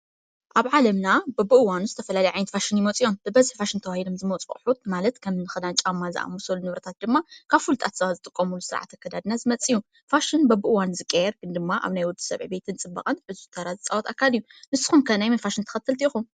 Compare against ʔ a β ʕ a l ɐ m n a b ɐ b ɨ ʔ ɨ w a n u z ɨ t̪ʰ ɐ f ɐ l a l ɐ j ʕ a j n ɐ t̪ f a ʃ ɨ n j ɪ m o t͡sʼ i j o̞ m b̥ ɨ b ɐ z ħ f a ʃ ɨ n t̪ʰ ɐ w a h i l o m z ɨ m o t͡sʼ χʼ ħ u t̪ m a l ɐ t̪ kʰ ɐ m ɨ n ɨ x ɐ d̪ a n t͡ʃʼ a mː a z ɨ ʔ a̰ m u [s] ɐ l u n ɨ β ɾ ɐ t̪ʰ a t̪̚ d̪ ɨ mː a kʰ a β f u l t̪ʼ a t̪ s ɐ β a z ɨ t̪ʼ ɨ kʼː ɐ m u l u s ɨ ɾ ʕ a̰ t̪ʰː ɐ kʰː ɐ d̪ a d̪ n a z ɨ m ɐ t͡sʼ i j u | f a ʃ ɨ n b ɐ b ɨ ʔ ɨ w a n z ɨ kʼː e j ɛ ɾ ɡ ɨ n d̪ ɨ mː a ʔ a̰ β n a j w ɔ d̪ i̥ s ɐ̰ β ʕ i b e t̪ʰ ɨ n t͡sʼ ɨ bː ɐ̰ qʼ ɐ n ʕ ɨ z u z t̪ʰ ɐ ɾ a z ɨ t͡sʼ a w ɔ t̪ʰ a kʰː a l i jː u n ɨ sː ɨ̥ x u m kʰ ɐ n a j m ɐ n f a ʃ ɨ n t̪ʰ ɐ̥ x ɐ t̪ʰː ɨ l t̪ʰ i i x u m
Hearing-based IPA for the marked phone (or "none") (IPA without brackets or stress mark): s